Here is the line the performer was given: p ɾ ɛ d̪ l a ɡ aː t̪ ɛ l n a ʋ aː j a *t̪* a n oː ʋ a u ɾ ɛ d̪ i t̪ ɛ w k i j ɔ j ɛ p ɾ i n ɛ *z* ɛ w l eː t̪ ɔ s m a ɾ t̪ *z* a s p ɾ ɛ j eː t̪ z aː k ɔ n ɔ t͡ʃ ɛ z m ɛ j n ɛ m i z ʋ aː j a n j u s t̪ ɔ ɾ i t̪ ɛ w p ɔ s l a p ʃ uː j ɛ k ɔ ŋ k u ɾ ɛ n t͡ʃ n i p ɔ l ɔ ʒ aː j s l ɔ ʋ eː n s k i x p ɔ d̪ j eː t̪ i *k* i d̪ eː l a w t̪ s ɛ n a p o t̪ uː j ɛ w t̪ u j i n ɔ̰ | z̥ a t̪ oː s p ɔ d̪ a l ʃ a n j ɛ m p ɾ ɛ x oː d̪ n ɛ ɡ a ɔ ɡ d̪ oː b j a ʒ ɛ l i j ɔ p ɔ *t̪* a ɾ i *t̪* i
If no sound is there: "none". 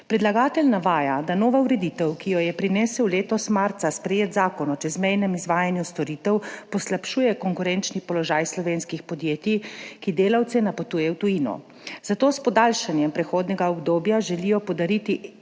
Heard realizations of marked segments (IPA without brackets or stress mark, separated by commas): d̪, s, s, k, d̪, t̪